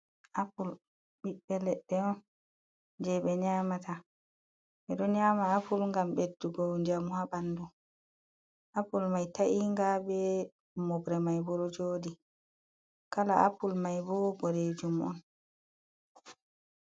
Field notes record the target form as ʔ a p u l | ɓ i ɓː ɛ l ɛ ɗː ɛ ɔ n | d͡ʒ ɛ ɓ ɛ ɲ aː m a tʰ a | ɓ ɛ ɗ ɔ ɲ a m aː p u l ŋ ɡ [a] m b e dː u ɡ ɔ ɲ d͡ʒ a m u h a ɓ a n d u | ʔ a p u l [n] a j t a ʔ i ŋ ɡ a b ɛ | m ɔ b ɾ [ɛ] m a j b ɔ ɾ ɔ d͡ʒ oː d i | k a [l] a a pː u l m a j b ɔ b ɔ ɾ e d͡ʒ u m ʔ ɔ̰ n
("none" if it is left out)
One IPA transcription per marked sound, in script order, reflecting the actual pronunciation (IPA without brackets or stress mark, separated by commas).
a, m, ɛ, l